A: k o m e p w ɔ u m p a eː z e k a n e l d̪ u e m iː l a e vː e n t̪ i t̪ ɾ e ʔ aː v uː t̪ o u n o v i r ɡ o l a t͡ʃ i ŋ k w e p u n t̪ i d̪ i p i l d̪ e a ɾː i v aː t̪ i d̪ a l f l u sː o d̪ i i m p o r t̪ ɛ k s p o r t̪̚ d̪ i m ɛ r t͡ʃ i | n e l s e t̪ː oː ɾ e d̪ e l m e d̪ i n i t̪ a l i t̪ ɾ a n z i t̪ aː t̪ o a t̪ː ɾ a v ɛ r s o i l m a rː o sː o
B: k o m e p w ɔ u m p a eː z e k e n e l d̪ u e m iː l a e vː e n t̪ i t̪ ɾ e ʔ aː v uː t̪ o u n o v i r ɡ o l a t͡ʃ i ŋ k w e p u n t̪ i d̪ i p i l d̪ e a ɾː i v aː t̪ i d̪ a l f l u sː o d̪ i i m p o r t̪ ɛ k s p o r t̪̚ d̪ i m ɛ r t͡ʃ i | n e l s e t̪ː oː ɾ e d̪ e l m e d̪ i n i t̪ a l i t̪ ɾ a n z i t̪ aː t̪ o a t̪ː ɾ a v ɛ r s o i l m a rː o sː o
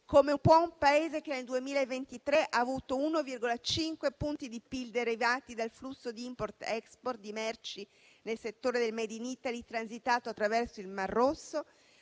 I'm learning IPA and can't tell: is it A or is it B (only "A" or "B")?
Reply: B